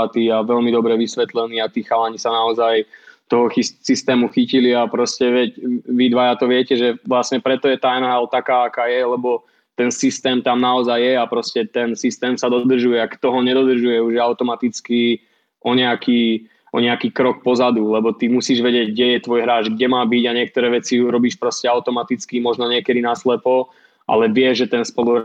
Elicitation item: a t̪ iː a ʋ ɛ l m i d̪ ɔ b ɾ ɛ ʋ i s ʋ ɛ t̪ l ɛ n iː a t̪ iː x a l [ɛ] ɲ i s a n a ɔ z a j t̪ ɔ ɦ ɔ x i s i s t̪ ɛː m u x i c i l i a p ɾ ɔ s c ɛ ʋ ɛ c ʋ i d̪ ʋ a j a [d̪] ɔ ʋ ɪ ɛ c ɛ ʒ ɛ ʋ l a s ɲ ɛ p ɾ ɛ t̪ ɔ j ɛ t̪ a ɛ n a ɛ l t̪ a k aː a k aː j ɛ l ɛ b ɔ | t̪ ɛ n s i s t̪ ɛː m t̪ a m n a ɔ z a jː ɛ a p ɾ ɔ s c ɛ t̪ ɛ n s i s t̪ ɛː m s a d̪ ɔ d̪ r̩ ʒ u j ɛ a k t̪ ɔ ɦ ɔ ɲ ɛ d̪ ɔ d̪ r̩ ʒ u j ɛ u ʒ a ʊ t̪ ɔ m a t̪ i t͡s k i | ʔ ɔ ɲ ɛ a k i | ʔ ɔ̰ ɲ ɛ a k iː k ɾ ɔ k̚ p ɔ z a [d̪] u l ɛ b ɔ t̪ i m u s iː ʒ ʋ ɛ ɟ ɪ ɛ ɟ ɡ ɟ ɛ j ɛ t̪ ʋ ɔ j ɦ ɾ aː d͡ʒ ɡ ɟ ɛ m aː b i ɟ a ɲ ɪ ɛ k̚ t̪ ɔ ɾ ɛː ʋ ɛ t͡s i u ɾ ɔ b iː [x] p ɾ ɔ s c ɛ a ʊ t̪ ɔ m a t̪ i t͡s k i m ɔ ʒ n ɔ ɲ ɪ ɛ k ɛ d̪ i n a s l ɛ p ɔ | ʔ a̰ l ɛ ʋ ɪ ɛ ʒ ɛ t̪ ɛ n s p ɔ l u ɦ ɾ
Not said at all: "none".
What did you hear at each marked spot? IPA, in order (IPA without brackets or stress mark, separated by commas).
a, t̪, d̪, ʃ